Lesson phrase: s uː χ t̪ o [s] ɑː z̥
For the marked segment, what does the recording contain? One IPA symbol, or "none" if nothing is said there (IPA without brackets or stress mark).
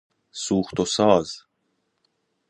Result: s